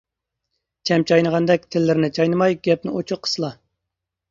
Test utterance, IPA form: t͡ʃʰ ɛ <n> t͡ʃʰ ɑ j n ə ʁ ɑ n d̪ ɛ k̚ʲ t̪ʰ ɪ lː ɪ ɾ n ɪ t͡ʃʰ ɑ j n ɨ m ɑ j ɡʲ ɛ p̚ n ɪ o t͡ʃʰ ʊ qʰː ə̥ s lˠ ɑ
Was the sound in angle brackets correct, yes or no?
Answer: no